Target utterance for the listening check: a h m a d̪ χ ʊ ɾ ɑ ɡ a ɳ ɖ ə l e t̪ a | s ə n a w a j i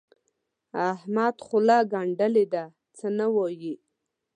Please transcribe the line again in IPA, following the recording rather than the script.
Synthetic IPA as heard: a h m a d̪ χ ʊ l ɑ ɡ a ɳ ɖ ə l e d̪ a | t͡s ə n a w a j i